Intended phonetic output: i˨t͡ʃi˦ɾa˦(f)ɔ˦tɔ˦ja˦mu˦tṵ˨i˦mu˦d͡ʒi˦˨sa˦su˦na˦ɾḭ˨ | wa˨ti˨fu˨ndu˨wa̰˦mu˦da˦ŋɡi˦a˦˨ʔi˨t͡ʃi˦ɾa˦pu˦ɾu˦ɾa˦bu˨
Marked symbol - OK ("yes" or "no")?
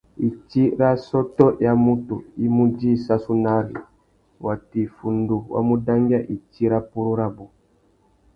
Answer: no